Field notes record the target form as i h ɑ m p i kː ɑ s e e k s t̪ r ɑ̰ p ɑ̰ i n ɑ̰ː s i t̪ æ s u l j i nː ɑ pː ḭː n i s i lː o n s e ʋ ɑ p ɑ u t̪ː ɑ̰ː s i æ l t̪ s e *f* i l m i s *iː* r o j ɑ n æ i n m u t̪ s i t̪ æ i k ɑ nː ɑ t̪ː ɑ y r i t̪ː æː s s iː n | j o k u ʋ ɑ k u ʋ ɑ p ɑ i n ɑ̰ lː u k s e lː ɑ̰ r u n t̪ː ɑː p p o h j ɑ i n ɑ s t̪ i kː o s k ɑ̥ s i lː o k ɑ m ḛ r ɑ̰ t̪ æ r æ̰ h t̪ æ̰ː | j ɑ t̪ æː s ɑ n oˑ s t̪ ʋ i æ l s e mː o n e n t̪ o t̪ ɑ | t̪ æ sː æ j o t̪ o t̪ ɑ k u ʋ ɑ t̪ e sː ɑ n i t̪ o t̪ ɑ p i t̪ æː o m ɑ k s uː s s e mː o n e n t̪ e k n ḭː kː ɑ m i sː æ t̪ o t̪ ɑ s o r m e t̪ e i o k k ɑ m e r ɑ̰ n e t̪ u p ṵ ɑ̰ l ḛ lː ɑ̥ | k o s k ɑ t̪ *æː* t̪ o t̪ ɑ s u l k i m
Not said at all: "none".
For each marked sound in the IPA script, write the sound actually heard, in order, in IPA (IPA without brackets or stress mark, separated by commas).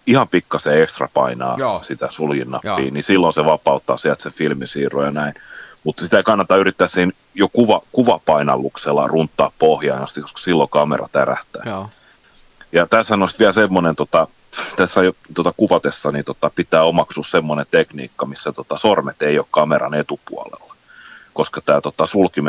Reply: f, iː, æː